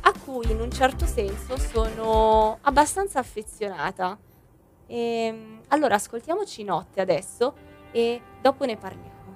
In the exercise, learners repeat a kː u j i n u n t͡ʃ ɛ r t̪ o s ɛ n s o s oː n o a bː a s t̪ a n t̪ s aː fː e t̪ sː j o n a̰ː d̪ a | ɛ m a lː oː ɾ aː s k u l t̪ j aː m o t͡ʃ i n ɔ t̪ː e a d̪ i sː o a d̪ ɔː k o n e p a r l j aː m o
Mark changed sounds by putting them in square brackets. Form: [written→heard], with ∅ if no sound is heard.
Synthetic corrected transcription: a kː u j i n u n t͡ʃ ɛ r t̪ o s ɛ n s o s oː n o a bː a s t̪ a n t̪ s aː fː e t̪ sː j o n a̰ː [d̪→t̪] a | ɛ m a lː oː ɾ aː s k [u→o] l t̪ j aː m o t͡ʃ i n ɔ t̪ː e a d̪ [i→ɛ] sː o [a→e] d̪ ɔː [k→p] o n e p a r l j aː m o